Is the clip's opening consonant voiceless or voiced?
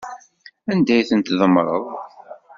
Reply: voiced